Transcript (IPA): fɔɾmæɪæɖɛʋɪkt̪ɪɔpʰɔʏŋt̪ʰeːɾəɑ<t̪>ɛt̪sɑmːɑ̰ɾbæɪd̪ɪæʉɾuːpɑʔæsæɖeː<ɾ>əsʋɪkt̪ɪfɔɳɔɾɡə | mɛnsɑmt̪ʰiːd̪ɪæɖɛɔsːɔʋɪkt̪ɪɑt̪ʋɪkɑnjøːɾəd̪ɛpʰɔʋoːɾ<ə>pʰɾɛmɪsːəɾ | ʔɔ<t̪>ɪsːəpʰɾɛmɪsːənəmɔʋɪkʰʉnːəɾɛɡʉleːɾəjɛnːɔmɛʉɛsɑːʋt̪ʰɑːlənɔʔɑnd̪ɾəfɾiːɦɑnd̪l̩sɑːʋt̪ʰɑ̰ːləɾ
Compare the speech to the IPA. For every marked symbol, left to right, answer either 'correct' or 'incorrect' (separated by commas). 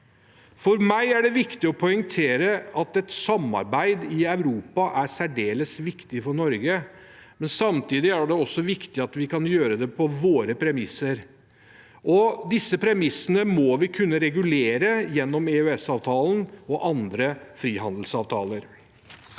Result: correct, incorrect, correct, incorrect